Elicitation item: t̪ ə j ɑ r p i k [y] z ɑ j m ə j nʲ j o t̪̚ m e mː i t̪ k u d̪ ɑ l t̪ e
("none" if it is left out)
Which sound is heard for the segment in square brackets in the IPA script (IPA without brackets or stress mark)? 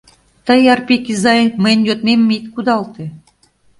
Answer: i